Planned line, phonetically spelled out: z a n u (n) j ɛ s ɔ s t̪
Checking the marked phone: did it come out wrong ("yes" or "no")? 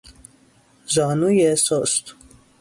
yes